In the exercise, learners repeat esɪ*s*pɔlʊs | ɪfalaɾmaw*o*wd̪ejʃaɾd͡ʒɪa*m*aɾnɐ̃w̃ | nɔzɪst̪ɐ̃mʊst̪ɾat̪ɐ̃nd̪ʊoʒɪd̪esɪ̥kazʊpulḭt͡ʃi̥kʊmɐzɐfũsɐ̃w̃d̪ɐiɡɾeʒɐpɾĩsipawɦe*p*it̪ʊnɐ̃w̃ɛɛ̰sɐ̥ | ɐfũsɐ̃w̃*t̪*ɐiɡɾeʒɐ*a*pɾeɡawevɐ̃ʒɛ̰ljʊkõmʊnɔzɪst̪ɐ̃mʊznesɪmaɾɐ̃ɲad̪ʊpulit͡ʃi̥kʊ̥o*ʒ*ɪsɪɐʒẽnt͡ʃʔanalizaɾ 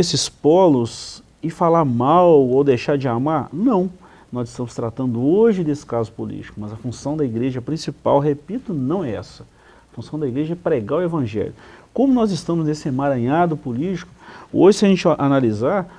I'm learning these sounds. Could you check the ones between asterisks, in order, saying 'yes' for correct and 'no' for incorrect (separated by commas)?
yes, yes, yes, yes, no, no, yes